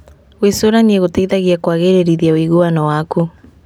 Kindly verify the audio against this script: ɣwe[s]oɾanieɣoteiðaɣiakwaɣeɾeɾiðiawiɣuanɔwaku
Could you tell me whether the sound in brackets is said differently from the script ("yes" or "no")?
no